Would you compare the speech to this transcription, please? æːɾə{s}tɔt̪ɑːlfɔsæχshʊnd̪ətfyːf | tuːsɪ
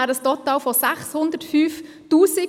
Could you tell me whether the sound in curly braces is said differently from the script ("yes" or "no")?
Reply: no